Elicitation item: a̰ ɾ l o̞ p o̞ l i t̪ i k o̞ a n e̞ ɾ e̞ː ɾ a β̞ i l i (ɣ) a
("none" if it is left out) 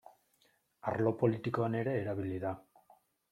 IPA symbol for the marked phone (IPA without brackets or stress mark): ð